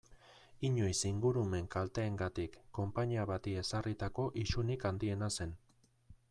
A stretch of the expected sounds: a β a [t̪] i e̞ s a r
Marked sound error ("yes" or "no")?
no